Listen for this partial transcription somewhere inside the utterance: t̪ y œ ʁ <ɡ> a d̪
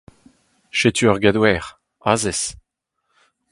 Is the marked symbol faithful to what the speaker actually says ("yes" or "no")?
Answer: yes